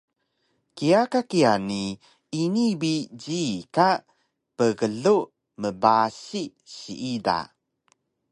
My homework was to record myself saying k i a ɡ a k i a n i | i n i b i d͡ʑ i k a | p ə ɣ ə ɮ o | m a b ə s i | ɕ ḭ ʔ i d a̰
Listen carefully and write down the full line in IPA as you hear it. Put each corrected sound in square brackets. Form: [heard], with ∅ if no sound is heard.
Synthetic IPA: k i a [k] a k i a n i | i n i b i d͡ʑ i k a | p ə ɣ ə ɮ [u] | m [ə] b [a] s i | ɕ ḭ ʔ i d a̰